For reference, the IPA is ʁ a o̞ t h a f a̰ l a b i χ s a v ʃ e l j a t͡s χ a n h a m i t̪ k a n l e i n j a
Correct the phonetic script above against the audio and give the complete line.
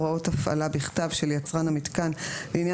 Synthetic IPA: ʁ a o̞ t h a f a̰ l a b i χ t a v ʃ e l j a t͡s ʁ a n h a m i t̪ k a n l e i n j a